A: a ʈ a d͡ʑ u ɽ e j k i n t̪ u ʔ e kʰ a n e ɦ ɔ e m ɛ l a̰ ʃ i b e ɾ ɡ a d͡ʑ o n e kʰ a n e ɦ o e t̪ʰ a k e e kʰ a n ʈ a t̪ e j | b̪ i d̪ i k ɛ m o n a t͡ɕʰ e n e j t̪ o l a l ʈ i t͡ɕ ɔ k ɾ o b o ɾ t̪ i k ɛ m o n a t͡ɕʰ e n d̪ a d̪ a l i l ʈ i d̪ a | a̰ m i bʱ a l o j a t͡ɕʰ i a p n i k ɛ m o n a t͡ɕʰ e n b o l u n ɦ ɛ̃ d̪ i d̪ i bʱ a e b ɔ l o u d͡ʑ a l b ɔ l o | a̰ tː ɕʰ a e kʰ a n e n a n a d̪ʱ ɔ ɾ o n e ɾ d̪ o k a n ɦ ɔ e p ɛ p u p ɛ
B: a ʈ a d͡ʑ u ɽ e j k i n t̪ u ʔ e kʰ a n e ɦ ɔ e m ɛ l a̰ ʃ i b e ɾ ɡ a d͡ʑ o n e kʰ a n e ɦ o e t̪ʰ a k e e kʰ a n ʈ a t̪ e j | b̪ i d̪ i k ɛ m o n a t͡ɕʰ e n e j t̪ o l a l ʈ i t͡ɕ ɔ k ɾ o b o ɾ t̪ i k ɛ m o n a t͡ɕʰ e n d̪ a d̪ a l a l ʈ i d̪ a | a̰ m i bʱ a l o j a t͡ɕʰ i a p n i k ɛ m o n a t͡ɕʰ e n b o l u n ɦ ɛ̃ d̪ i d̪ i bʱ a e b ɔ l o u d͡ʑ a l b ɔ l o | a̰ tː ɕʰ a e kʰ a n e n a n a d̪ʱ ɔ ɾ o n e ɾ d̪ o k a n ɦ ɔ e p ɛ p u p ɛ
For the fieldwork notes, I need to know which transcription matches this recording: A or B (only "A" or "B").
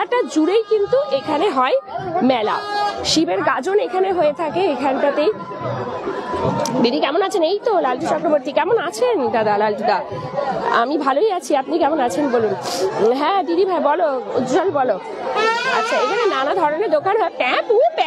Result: B